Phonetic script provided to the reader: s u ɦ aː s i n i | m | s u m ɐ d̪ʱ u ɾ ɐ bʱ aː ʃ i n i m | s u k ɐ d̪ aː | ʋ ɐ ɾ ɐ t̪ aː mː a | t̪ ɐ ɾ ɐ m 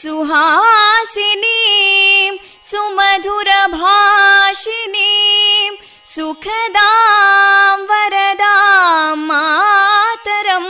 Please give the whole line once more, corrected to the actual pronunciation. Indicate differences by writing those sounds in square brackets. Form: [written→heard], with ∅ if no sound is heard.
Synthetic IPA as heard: s u ɦ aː s i n i | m | s u m ɐ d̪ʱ u ɾ ɐ bʱ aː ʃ i n i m | s u [k→kʰ] ɐ d̪ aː | ʋ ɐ ɾ ɐ [t̪→d̪] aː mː a | t̪ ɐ ɾ ɐ m